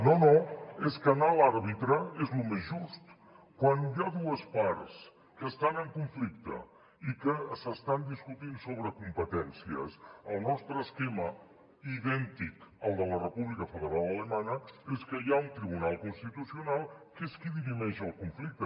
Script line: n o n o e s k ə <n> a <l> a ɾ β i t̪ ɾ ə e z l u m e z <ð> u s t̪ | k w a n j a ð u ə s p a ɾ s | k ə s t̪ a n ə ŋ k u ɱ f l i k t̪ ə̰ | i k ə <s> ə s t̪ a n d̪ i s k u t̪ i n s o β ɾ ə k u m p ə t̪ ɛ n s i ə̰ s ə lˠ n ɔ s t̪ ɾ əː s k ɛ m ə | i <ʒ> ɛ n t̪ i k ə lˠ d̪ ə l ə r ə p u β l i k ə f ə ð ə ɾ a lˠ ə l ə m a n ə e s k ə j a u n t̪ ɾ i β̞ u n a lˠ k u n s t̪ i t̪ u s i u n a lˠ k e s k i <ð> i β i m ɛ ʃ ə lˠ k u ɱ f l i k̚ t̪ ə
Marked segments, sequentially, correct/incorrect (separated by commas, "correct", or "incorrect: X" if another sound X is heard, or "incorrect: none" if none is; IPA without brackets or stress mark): correct, correct, incorrect: ʒ, correct, incorrect: ð, correct